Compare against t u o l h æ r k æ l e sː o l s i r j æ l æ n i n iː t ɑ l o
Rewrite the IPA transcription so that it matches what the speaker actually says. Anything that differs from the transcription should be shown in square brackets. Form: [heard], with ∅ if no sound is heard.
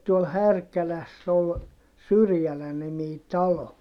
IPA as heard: t u o l h æ r k æ l [æ] sː o l s [y] r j æ l æ n i [m] iː t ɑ l o